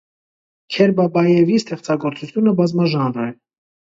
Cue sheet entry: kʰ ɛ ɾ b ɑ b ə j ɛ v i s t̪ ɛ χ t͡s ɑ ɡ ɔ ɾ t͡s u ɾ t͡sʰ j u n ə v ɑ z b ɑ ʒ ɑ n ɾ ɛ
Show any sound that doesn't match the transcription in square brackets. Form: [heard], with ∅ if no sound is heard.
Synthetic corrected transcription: kʰ ɛ ɾ b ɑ b [ɑ] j ɛ v i s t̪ ɛ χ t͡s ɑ ɡ ɔ ɾ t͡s u [∅] t͡sʰ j u n ə [b] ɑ z [m] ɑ ʒ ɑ n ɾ ɛ